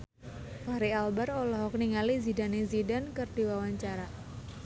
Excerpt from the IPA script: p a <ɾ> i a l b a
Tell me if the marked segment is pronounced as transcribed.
yes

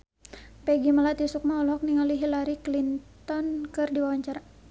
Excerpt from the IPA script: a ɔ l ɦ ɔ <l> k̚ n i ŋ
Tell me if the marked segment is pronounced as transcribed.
no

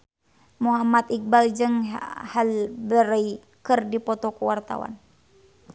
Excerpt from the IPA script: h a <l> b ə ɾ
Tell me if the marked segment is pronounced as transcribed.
yes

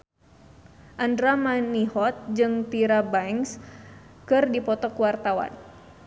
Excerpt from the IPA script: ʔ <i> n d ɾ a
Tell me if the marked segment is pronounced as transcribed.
no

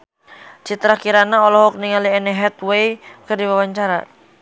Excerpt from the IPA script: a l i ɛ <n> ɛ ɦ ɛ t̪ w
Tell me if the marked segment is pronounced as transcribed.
yes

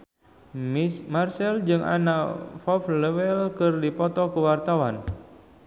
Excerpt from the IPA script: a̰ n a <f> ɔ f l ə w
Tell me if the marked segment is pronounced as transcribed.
yes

